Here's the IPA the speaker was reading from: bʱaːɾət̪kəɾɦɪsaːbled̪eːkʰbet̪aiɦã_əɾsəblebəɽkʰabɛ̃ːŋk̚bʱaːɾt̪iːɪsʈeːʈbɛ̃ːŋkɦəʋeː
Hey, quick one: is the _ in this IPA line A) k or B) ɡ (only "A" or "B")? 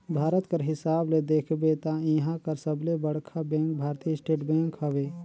A